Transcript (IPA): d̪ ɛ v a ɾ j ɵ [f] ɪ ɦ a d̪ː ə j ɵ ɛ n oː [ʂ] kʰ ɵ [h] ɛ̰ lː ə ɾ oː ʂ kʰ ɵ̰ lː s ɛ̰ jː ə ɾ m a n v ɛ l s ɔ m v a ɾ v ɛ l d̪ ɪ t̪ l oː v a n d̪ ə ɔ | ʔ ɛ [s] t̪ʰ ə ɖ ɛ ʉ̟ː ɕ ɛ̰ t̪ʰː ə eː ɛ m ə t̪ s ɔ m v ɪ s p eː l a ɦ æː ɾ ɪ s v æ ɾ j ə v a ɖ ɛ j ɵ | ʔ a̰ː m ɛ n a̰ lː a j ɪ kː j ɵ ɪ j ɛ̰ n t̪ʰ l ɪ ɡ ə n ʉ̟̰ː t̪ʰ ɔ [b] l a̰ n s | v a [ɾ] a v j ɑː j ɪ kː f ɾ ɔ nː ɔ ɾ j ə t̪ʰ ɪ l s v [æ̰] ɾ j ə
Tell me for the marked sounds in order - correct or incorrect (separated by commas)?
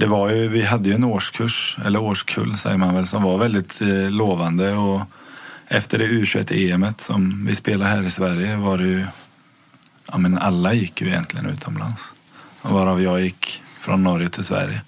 incorrect, correct, incorrect, incorrect, incorrect, correct, correct